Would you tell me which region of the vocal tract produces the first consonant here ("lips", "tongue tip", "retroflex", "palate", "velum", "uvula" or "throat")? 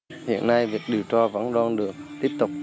throat